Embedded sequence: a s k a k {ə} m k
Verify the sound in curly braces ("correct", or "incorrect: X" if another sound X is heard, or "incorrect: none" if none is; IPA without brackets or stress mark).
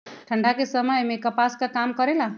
incorrect: a